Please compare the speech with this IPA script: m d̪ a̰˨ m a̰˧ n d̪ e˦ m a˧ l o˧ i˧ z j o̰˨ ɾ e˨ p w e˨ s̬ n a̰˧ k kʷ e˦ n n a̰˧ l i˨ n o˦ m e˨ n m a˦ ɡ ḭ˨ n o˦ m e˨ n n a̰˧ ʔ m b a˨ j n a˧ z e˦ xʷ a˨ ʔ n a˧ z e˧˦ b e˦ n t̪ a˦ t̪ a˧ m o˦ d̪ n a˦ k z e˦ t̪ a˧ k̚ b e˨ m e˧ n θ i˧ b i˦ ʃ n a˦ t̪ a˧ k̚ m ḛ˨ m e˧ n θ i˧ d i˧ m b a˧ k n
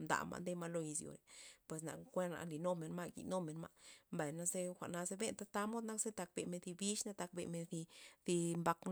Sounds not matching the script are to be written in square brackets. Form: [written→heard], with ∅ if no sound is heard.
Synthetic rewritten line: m d̪ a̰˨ m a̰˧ n d̪ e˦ m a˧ l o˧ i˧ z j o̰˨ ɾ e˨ p w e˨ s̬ n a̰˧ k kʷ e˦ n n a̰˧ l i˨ n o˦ m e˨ n m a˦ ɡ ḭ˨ n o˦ m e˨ n [n→m] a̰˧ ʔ m b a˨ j n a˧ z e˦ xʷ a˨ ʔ n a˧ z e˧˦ b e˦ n t̪ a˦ t̪ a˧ m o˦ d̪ n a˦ k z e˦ t̪ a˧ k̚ b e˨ m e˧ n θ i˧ b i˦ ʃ n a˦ t̪ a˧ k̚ [m→b] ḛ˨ m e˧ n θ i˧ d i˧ m b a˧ k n